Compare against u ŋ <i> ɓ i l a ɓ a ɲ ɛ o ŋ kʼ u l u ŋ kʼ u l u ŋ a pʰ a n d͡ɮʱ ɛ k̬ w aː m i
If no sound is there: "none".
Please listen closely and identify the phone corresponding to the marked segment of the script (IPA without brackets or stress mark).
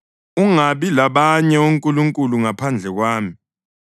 a